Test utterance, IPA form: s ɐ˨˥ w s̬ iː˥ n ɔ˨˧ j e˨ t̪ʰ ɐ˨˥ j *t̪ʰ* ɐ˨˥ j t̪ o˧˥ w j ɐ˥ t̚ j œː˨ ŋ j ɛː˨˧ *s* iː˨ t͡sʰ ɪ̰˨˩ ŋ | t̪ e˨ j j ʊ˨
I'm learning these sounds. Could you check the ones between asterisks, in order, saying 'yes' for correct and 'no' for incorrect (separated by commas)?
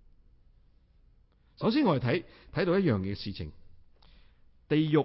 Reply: yes, yes